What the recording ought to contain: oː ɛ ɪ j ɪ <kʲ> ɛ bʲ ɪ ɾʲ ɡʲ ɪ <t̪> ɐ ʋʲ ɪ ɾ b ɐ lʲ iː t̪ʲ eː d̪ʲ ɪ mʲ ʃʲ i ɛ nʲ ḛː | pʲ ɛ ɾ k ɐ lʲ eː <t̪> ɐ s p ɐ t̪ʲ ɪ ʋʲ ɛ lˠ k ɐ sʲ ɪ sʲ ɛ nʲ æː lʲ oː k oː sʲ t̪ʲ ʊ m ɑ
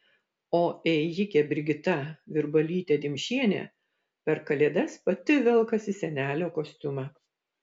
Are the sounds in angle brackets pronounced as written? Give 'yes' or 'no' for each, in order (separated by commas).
yes, yes, no